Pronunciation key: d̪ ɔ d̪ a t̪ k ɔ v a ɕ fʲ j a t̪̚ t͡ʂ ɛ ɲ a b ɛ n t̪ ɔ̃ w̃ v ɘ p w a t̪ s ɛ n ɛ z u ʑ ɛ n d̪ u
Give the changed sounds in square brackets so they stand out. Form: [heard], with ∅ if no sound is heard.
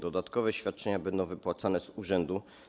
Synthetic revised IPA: d̪ ɔ d̪ a t̪ k ɔ v [ɛ] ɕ fʲ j a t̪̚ t͡ʂ ɛ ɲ a b ɛ n [d̪] ɔ̃ w̃ v ɘ p w a t̪ s [a] n ɛ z u [ʐ] ɛ n d̪ u